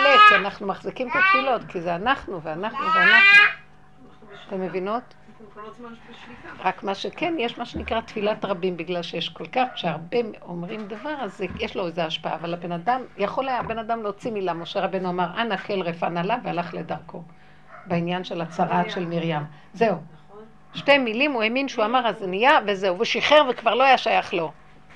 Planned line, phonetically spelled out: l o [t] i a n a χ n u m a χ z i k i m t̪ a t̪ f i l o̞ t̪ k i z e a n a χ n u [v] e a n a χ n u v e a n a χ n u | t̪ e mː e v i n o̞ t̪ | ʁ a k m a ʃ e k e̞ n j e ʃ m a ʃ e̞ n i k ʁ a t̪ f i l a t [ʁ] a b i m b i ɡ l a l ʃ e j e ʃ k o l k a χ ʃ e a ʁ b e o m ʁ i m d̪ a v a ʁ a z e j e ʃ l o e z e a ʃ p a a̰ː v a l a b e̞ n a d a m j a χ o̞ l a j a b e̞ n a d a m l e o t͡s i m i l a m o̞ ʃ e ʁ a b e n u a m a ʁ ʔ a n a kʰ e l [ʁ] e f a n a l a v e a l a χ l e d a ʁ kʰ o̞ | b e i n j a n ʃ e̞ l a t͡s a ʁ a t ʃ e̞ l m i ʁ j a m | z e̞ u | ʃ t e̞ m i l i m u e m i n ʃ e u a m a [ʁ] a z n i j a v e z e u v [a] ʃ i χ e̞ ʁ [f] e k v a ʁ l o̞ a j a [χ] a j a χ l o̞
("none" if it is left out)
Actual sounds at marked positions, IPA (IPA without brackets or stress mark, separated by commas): k, v, ʁ, ʁ, ʁ, e, v, ʃ